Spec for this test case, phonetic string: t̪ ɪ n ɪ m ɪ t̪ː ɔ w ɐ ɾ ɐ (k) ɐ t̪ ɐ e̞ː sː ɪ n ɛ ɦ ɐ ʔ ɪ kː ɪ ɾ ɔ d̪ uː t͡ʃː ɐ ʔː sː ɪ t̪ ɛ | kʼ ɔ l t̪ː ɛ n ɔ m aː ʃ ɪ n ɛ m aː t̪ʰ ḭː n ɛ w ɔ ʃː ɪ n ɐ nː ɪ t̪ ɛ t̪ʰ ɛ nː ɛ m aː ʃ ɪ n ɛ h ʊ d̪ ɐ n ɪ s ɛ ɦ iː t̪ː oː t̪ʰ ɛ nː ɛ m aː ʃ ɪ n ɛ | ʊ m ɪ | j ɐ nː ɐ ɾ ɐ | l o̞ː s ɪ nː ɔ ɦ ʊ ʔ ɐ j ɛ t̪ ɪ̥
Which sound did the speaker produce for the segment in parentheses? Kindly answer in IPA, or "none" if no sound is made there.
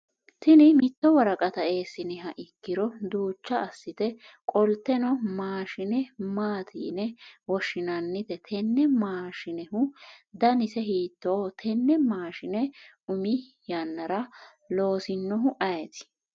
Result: kʼ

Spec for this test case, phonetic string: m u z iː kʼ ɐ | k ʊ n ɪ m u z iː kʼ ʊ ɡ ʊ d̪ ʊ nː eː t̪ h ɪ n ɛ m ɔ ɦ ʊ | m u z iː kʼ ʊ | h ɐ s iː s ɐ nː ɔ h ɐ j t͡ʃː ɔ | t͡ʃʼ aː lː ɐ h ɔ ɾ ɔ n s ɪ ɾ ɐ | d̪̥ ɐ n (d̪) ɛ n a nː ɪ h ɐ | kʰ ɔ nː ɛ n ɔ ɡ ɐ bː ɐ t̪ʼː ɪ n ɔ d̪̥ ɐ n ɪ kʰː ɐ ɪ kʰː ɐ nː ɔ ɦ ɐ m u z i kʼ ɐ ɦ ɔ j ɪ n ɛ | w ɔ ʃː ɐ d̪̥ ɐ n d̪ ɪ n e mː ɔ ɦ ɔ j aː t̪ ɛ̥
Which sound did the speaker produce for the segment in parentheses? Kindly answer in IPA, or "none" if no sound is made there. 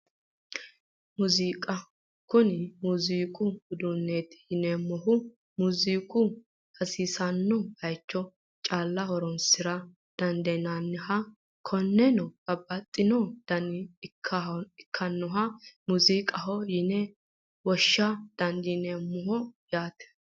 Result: d̪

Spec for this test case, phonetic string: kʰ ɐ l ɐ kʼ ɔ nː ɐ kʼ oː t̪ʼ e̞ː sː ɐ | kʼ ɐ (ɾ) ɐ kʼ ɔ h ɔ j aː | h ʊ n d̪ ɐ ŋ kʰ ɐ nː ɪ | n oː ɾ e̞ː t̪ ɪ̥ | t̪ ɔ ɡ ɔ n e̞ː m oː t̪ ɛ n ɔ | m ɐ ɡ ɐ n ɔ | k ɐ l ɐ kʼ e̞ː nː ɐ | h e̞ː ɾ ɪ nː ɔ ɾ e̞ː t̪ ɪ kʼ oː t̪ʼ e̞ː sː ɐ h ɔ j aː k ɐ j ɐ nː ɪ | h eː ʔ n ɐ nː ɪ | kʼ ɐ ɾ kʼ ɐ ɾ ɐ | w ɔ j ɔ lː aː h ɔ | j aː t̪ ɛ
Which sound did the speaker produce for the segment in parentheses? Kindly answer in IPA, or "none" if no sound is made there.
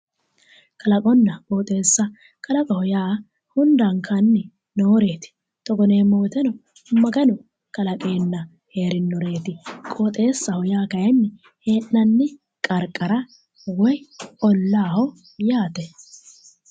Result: l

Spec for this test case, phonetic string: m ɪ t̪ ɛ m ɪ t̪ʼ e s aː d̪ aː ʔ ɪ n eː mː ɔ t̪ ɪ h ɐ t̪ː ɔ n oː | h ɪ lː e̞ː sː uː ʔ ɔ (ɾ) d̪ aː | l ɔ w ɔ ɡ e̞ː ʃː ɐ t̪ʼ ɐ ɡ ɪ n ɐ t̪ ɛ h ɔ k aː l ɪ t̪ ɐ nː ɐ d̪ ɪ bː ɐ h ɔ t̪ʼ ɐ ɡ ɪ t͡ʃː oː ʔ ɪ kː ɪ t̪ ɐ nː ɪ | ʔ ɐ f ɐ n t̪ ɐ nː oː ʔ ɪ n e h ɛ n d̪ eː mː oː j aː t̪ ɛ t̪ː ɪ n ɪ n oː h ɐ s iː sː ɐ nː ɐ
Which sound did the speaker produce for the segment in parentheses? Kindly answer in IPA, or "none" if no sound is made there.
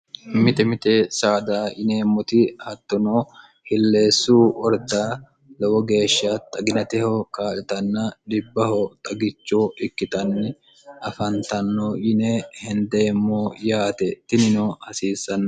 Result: ɾ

